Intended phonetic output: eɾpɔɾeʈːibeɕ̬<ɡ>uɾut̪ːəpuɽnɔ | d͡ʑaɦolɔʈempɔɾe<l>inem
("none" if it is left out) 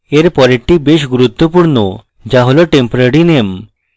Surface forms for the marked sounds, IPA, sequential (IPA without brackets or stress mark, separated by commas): ɡ, ɽ